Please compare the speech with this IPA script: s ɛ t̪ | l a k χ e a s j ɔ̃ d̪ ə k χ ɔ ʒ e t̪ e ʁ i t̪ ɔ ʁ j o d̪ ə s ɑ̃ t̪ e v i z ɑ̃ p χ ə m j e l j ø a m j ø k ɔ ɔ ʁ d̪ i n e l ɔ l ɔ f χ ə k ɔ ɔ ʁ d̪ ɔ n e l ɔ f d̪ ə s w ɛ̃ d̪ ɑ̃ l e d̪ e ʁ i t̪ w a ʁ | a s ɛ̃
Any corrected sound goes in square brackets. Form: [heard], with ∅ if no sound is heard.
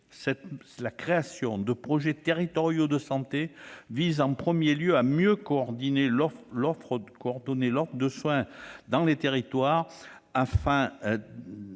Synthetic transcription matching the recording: s ɛ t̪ | l a k χ e a s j ɔ̃ d̪ ə [p] χ ɔ ʒ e t̪ e ʁ i t̪ ɔ ʁ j o d̪ ə s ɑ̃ t̪ e v i z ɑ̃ p χ ə m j e l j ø a m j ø k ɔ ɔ ʁ d̪ i n e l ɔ l ɔ f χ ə k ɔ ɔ ʁ d̪ ɔ n e l ɔ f d̪ ə s w ɛ̃ d̪ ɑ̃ l e [t̪] e ʁ i t̪ w a ʁ | a [f] ɛ̃

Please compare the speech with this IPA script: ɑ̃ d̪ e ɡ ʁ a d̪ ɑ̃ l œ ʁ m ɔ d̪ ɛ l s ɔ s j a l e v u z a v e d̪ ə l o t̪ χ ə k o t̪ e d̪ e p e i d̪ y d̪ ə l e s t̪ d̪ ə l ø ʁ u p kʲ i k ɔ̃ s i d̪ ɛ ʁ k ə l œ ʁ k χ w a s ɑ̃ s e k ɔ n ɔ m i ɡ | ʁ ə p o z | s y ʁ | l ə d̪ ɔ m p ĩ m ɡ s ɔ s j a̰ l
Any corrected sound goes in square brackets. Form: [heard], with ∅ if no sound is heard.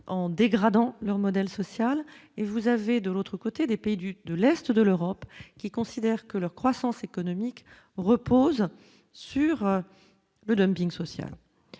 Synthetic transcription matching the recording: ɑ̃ d̪ e ɡ ʁ a d̪ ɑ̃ l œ ʁ m ɔ d̪ ɛ l s ɔ s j a l e v u z a v e d̪ ə l o t̪ χ ə k o t̪ e d̪ e p e i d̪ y d̪ ə l [ɛ] s t̪ d̪ ə l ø ʁ [ɔ] p kʲ i k ɔ̃ s i d̪ ɛ ʁ k ə l œ ʁ k χ w a s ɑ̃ s e k ɔ n ɔ m i [k] | ʁ ə p o z | s y ʁ | l ə d̪ ɔ m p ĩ [ŋ] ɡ s ɔ s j a̰ l

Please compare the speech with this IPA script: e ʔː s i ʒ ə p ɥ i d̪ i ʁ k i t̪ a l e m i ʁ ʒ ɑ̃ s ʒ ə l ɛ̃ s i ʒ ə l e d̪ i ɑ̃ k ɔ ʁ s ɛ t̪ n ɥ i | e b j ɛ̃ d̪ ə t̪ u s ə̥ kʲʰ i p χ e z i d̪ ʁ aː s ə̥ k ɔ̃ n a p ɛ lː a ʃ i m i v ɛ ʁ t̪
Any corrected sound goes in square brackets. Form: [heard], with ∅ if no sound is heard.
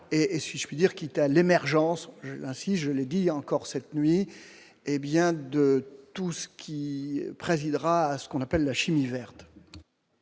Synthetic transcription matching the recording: e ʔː s i ʒ ə p ɥ i d̪ i ʁ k i t̪ a l e m [ɛ] ʁ ʒ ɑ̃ s ʒ ə l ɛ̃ s i ʒ ə l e d̪ i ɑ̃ k ɔ ʁ s ɛ t̪ n ɥ i | e b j ɛ̃ d̪ ə t̪ u s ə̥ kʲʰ i p χ e z i d̪ ʁ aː s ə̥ k ɔ̃ n a p ɛ lː a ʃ i m i v ɛ ʁ t̪

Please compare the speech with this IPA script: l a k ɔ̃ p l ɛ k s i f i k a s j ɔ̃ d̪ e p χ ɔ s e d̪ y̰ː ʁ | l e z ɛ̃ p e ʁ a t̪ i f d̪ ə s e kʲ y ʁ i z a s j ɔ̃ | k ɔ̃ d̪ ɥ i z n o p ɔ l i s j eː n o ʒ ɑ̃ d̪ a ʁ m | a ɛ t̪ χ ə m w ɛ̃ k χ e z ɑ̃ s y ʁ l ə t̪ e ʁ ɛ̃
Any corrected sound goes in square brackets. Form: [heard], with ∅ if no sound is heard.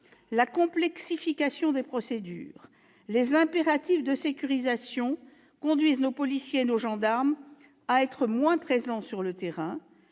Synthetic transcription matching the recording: l a k ɔ̃ p l ɛ k s i f i k a s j ɔ̃ d̪ e p χ ɔ s e d̪ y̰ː ʁ | l e z ɛ̃ p e ʁ a t̪ i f d̪ ə s e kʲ y ʁ i z a s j ɔ̃ | k ɔ̃ d̪ ɥ i z n o p ɔ l i s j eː n o ʒ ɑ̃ d̪ a ʁ m | a ɛ t̪ χ ə m w ɛ̃ [p] χ e z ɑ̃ s y ʁ l ə t̪ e ʁ ɛ̃

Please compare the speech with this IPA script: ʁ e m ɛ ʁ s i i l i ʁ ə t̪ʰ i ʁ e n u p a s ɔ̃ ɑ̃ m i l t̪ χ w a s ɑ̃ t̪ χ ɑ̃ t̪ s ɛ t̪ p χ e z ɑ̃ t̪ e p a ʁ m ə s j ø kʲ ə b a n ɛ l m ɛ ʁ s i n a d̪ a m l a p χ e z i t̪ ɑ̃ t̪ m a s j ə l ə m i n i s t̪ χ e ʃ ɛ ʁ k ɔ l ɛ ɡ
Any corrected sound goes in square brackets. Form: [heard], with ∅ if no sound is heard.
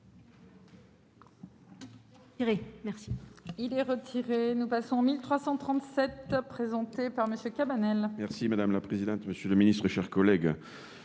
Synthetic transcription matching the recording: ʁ e m ɛ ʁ s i i l [ɛ] ʁ ə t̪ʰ i ʁ e n u p a s ɔ̃ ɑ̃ m i l t̪ χ w a s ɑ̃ t̪ χ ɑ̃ t̪ s ɛ t̪ p χ e z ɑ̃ t̪ e p a ʁ m ə s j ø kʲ [a] b a n ɛ l m ɛ ʁ s i [m] a d̪ a m l a p χ e z i [d̪] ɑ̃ t̪ m [ə] s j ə l ə m i n i s t̪ χ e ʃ ɛ ʁ k ɔ l ɛ ɡ

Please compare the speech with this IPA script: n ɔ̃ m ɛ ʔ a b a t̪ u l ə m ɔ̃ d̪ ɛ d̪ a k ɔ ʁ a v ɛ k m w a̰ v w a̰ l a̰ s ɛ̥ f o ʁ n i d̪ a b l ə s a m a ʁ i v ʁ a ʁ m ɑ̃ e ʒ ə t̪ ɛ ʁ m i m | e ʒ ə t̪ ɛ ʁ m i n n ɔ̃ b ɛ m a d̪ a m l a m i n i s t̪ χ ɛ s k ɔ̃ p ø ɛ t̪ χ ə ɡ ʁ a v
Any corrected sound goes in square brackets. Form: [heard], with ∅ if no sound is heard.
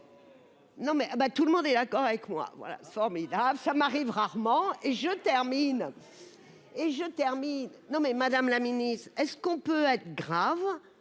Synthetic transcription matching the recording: n ɔ̃ m ɛ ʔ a b a t̪ u l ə m ɔ̃ d̪ ɛ d̪ a k ɔ ʁ a v ɛ k m w a̰ v w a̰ l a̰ s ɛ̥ f [ɔ] ʁ [m] i d̪ a b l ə s a m a ʁ i v ʁ a ʁ m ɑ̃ e ʒ ə t̪ ɛ ʁ m i [n] | e ʒ ə t̪ ɛ ʁ m i n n ɔ̃ [m] ɛ m a d̪ a m l a m i n i s t̪ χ ɛ s k ɔ̃ p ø ɛ t̪ χ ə ɡ ʁ a v

